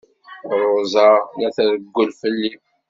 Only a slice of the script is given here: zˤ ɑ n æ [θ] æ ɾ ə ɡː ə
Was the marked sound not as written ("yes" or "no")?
no